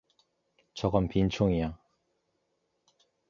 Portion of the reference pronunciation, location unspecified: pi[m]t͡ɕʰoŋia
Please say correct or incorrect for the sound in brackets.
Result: incorrect: n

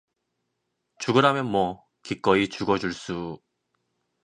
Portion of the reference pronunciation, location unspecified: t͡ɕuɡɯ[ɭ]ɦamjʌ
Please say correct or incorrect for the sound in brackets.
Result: incorrect: ɾ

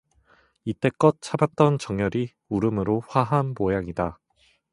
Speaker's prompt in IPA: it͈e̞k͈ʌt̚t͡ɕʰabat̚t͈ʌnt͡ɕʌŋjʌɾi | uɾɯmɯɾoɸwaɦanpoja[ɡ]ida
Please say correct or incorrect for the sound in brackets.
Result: incorrect: ŋ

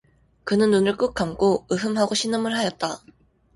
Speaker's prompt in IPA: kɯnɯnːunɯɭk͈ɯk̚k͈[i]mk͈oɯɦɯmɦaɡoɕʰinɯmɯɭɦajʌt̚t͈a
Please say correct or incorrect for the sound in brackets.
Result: incorrect: a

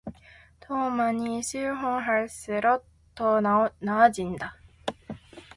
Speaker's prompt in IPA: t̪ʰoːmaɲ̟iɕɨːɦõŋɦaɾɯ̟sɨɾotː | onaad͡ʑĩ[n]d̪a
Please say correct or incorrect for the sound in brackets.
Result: correct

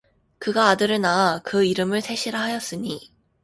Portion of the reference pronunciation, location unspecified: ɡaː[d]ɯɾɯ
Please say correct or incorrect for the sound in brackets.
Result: correct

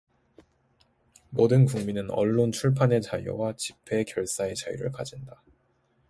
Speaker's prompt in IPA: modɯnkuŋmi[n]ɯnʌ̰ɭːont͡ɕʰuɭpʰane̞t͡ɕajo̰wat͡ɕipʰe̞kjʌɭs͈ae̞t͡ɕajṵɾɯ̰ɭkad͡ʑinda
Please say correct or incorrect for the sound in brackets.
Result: correct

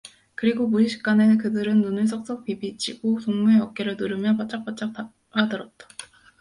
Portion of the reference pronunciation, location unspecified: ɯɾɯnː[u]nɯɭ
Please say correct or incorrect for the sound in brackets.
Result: correct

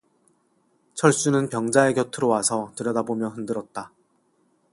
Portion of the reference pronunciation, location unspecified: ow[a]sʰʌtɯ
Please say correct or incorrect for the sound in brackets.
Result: correct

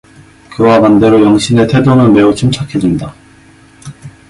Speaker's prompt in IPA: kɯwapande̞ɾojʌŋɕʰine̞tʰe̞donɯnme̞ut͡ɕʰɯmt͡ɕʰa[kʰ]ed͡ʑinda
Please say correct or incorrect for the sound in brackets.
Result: correct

